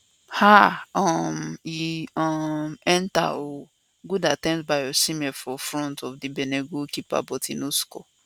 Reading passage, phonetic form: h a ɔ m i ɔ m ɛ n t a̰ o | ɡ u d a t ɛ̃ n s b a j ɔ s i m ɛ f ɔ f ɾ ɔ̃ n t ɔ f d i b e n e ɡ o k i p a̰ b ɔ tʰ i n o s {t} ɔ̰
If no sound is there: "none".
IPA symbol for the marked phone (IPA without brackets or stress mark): k